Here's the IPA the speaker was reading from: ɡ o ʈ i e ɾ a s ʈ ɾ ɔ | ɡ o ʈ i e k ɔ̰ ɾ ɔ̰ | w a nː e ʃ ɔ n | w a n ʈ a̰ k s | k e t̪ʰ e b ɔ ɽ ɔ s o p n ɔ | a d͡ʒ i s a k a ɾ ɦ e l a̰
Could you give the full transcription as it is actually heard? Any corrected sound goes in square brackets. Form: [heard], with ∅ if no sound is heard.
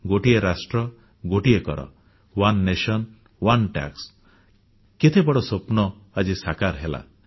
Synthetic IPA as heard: ɡ o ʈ i e ɾ a s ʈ ɾ ɔ | ɡ o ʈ i e k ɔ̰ ɾ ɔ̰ | w a nː e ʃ ɔ n | w a n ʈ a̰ k s | k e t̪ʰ e b ɔ ɽ ɔ s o p n ɔ | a d͡ʒ i s a k a ɾ ɦ e l a̰

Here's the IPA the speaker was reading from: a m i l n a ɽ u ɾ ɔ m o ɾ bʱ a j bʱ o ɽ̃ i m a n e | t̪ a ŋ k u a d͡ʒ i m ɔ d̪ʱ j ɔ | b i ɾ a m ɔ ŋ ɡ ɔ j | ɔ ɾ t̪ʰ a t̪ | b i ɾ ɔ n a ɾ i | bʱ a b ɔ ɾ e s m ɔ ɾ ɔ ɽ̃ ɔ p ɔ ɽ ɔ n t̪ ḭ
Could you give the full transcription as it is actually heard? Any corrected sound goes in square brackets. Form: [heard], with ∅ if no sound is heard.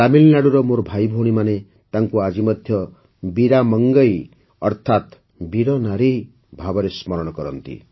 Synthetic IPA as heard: a m i l n a ɽ u ɾ ɔ m o ɾ bʱ a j bʱ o ɽ̃ i m a n e | t̪ a ŋ k u a d͡ʒ i m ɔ d̪ʱ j ɔ | b i ɾ a m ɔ ŋ ɡ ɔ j | ɔ ɾ t̪ʰ a t̪ | b i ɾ ɔ n a ɾ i | bʱ a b ɔ ɾ e s m ɔ ɾ ɔ ɽ̃ ɔ [k] ɔ [ɾ] ɔ n t̪ ḭ

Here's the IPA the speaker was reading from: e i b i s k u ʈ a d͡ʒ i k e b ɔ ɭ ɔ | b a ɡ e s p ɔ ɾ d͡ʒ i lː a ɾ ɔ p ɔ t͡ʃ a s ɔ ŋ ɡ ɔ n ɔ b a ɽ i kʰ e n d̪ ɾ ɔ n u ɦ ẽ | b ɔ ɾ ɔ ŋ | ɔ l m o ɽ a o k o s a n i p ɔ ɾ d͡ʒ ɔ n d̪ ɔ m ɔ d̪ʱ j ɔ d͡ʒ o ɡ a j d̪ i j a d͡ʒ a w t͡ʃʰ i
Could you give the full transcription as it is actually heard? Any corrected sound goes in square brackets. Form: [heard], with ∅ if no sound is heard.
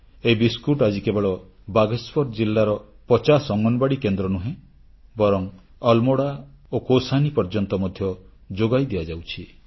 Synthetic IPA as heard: e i b i s k u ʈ a d͡ʒ i k e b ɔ ɭ ɔ | b a ɡ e s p ɔ ɾ d͡ʒ i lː a ɾ ɔ p ɔ t͡ʃ a s ɔ ŋ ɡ ɔ n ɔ b a ɽ i [k] e n d̪ ɾ ɔ n u ɦ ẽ | b ɔ ɾ ɔ ŋ | ɔ l m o ɽ a o k o s a n i p ɔ ɾ d͡ʒ ɔ n [t̪] ɔ m ɔ d̪ʱ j ɔ d͡ʒ o ɡ a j d̪ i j a d͡ʒ a w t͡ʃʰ i

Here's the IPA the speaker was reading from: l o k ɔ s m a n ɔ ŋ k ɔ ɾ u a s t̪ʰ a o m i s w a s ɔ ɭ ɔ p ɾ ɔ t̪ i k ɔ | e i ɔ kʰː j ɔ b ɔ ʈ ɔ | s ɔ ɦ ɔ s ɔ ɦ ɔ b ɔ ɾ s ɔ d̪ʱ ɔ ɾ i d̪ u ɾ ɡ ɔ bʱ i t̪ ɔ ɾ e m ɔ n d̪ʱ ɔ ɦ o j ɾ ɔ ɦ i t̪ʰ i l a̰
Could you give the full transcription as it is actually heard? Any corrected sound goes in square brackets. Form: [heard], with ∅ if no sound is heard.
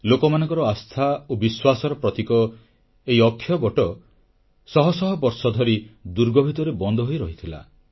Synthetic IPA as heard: l o k ɔ [∅] m a n ɔ ŋ k ɔ ɾ [ɔ] a s t̪ʰ a o [b] i s w a s ɔ [ɾ] ɔ p ɾ ɔ t̪ i k ɔ | e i ɔ kʰː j ɔ b ɔ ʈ ɔ | s ɔ ɦ ɔ s ɔ ɦ ɔ b ɔ ɾ s ɔ d̪ʱ ɔ ɾ i d̪ u ɾ ɡ ɔ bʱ i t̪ ɔ ɾ e [b] ɔ n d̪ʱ ɔ ɦ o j ɾ ɔ ɦ i t̪ʰ i l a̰

